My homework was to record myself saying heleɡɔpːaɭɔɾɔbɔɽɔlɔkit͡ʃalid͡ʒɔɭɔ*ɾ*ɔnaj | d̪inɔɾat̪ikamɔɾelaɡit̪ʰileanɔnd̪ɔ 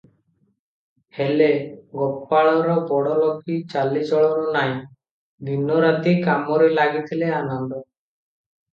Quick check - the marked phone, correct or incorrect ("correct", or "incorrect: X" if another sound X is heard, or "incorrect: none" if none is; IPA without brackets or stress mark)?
correct